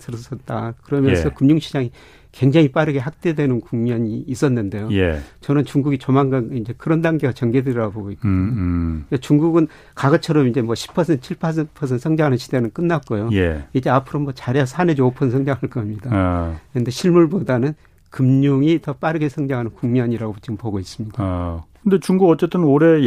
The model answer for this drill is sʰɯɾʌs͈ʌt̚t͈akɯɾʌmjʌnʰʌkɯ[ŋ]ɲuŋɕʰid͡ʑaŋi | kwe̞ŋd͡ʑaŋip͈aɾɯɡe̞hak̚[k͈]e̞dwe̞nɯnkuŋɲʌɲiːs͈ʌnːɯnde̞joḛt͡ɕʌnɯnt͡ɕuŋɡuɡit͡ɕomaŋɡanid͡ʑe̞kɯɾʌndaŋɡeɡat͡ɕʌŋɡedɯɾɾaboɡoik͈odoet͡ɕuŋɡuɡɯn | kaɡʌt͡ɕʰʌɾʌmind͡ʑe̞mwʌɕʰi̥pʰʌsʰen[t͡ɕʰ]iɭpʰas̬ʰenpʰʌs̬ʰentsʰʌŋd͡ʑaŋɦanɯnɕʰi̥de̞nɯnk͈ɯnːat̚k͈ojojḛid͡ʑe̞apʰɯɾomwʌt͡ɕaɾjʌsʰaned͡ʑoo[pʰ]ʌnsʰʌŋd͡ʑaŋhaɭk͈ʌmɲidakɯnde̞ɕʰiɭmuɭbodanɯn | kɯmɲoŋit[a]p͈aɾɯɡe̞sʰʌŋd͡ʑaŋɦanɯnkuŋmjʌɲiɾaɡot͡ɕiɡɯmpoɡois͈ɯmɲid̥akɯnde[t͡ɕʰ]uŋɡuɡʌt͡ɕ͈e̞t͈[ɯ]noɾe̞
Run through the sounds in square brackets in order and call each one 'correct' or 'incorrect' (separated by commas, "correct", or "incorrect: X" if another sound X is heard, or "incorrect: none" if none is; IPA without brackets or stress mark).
incorrect: m, incorrect: t͈, correct, correct, incorrect: ʌ, incorrect: t͡ɕ, correct